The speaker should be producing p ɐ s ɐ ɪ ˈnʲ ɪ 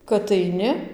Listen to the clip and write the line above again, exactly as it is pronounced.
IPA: k ɐ t ɐ ɪ ˈnʲ ɪ